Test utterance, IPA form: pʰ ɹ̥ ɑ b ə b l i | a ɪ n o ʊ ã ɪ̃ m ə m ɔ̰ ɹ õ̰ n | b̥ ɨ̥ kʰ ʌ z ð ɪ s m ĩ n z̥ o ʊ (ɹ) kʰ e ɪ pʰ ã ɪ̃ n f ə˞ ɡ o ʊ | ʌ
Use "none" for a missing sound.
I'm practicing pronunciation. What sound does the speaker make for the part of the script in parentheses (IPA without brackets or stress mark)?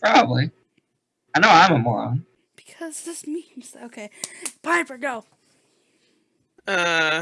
none